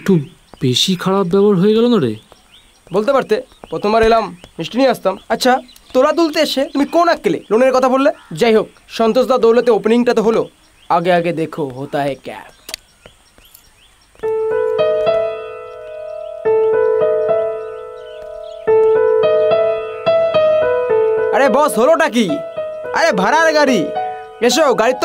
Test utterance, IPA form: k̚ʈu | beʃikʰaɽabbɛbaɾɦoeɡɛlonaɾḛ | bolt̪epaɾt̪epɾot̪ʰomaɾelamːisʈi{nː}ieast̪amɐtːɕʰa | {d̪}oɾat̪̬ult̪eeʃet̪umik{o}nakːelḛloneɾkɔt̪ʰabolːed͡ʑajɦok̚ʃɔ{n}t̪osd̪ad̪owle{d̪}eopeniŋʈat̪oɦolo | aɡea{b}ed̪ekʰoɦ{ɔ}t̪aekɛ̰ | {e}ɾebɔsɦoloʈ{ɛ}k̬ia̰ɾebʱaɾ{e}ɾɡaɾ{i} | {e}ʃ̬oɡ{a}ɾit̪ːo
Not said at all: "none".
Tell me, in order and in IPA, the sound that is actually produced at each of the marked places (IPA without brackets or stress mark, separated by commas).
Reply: n, t̪, o, n, t̪, ɡ, o, a, a, a, i, e, a